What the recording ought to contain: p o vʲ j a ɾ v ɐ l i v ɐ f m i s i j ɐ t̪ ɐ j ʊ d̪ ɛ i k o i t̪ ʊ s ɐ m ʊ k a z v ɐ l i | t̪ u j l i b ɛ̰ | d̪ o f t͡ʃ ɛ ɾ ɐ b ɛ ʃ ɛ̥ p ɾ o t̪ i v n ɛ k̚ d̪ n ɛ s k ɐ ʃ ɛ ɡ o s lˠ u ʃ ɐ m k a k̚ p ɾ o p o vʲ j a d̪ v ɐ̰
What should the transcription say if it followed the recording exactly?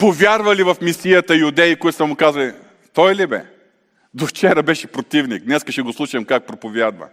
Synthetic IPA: p o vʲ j a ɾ v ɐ l i v ɐ f m i s i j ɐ t̪ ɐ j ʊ d̪ ɛ i k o i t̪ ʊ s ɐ m ʊ k a z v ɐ l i | t̪ ɔ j l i b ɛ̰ | d̪ o f t͡ʃ ɛ ɾ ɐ b ɛ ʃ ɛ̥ p ɾ o t̪ i v n i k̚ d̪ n ɛ s k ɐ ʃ ɛ ɡ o s lˠ u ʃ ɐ m k a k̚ p ɾ o p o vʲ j a d̪ v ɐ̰